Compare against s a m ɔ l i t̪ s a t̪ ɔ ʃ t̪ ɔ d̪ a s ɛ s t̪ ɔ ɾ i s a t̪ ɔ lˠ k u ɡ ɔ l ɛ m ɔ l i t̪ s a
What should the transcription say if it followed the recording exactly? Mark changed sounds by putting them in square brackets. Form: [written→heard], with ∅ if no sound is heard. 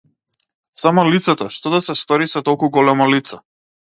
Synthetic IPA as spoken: s a m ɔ l i t̪ s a t̪ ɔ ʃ t̪ ɔ d̪ a s ɛ s t̪ ɔ ɾ i s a t̪ ɔ lˠ k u ɡ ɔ l ɛ m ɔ l i t̪ s a